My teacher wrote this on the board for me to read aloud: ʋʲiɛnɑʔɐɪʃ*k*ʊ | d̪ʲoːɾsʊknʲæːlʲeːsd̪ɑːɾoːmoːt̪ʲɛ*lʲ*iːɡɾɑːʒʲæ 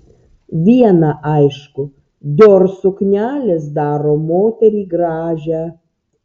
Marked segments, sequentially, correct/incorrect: correct, incorrect: ɾʲ

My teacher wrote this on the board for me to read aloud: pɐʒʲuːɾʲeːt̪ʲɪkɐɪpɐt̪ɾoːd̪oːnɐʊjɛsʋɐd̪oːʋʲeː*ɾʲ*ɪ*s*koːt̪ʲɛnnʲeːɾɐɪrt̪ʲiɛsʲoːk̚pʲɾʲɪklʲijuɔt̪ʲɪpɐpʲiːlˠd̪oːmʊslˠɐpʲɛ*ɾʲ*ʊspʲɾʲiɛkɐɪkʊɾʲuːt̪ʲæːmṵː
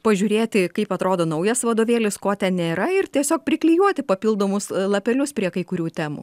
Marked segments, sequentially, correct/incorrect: incorrect: lʲ, correct, incorrect: lʲ

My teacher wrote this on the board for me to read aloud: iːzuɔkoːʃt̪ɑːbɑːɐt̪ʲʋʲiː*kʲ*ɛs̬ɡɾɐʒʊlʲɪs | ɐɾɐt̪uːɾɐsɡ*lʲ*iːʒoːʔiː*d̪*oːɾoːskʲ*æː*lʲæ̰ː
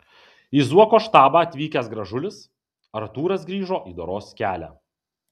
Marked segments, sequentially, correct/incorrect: correct, incorrect: ɾʲ, correct, correct

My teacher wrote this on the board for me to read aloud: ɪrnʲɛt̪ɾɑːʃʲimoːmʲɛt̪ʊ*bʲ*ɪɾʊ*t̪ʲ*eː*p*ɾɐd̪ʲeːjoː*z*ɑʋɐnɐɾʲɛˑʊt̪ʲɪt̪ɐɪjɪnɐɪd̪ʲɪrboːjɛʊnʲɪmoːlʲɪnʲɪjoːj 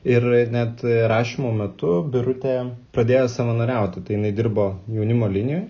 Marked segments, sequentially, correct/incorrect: correct, correct, correct, incorrect: s

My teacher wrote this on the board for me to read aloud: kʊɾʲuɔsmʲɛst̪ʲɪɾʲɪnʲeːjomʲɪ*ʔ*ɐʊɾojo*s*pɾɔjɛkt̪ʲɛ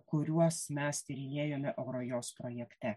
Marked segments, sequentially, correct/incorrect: correct, correct

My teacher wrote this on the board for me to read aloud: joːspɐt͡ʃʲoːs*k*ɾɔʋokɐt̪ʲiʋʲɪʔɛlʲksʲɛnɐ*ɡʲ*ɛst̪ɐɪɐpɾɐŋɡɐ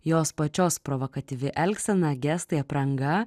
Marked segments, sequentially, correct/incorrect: incorrect: p, correct

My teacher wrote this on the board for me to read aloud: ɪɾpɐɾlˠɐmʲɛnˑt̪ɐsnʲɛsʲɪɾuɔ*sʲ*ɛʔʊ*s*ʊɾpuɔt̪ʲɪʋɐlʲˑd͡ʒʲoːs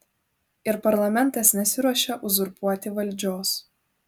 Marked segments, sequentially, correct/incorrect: incorrect: ʃʲ, incorrect: z

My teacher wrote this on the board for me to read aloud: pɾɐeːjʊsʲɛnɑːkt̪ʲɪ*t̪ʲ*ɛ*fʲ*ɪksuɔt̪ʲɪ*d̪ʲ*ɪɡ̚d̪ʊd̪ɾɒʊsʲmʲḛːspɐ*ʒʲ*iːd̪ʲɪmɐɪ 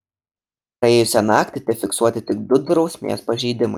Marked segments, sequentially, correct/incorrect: correct, correct, incorrect: t̪ʲ, correct

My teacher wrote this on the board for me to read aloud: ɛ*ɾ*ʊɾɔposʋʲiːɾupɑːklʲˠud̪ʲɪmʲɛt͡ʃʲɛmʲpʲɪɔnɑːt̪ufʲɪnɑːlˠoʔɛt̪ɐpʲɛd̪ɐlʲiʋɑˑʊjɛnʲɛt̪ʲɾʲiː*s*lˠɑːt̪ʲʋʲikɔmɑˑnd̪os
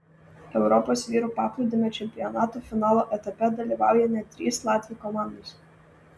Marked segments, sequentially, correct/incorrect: incorrect: none, correct

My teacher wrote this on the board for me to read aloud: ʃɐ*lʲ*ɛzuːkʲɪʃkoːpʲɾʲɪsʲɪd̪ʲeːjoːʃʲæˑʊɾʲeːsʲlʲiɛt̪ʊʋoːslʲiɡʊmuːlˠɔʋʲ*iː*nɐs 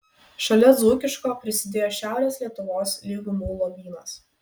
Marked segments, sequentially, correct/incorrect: correct, correct

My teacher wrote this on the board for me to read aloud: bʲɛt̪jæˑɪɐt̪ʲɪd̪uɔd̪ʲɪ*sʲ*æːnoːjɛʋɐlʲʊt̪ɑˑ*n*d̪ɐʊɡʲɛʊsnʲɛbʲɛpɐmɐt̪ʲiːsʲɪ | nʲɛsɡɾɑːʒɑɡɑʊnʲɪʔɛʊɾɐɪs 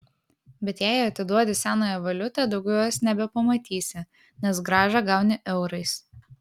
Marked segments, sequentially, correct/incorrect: correct, incorrect: none

